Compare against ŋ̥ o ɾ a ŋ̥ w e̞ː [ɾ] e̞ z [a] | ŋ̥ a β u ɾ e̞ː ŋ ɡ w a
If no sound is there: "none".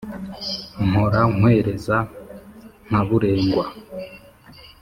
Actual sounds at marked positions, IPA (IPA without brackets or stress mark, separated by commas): ɾ, a